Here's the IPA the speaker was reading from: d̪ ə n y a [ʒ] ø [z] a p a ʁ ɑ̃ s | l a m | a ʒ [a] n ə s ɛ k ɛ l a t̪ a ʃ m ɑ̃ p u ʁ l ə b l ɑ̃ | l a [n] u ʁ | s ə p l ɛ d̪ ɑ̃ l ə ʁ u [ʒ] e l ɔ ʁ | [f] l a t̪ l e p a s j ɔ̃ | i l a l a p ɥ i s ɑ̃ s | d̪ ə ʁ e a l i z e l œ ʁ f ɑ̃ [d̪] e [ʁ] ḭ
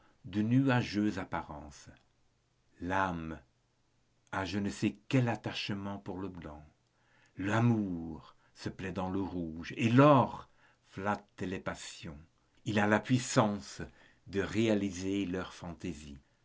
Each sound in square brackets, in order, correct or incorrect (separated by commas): correct, correct, incorrect, incorrect, correct, correct, incorrect, incorrect